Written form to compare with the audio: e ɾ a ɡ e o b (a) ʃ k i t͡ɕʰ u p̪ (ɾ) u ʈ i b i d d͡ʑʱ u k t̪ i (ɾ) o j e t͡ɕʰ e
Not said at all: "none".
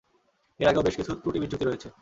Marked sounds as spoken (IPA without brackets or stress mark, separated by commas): e, ɾ, ɾ